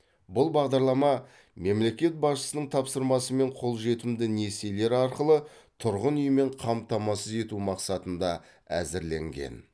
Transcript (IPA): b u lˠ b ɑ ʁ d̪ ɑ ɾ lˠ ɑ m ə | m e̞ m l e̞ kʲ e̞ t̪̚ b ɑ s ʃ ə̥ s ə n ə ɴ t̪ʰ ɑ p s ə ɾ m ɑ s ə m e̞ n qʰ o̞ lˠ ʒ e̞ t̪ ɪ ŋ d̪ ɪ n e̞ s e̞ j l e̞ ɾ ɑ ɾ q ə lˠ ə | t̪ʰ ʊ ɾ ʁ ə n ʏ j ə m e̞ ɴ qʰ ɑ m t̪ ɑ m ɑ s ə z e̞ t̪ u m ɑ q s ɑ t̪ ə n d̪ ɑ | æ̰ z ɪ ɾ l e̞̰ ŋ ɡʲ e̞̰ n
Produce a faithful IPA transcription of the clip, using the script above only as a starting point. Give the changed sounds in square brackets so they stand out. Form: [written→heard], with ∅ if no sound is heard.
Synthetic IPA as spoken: b [u→ʊ] lˠ b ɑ ʁ d̪ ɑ ɾ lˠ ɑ m [ə→ɑ] | m e̞ m l e̞ kʲ e̞ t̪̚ b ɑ s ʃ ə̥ s ə n ə ɴ t̪ʰ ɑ p s ə ɾ m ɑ s ə m e̞ [n→ɴ] qʰ o̞ lˠ ʒ e̞ t̪ ɪ [ŋ→m] d̪ ɪ n e̞ s e̞ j l e̞ ɾ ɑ ɾ q ə lˠ ə | t̪ʰ ʊ ɾ ʁ ə n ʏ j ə m e̞ ɴ qʰ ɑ m t̪ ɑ m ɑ s ə z e̞ t̪ u m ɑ q s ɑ t̪ ə n d̪ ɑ | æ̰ z ɪ ɾ l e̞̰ ŋ ɡʲ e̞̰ n